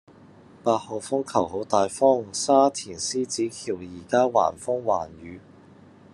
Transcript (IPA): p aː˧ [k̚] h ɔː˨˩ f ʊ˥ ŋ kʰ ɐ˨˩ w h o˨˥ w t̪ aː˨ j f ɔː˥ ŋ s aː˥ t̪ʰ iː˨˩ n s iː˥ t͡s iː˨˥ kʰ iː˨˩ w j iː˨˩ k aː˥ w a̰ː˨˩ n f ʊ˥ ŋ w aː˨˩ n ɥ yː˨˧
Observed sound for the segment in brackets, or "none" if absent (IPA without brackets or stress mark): t̚